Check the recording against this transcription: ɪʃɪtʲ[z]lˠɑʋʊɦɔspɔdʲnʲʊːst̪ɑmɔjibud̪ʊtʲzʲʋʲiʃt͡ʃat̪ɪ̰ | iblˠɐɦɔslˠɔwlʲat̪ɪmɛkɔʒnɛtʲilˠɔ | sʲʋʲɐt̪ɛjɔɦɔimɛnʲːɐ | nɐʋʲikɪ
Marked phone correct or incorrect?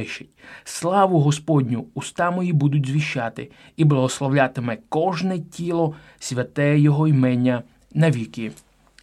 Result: incorrect